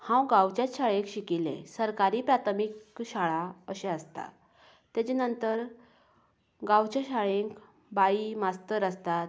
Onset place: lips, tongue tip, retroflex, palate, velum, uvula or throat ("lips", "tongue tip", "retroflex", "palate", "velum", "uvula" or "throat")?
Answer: throat